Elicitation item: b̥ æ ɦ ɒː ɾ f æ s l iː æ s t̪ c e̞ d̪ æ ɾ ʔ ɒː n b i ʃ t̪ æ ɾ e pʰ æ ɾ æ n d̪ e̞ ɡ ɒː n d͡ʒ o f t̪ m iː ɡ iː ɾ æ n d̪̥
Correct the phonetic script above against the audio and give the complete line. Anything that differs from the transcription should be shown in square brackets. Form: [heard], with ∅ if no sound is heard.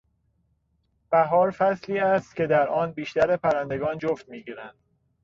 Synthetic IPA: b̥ æ ɦ ɒː ɾ f æ s l iː æ s t̪ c e̞ d̪ æ ɾ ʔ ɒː n b [iː] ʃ t̪ æ ɾ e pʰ æ ɾ æ n d̪ e̞ ɡ ɒː n d͡ʒ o f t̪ m iː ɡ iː ɾ æ n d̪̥